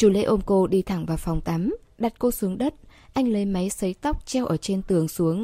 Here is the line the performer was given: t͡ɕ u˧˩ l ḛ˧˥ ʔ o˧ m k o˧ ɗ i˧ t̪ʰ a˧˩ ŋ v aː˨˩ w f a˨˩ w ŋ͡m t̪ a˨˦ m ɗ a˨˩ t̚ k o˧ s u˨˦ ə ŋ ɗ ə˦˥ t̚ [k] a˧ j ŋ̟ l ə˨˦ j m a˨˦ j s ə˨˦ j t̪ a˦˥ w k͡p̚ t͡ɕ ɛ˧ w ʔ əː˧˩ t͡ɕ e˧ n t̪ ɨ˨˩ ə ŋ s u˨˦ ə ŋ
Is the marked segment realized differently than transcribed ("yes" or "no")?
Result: yes